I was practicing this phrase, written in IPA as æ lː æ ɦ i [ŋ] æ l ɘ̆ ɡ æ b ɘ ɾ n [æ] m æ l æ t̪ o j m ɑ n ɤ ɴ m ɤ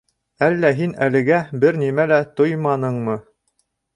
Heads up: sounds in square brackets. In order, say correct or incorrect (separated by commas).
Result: incorrect, incorrect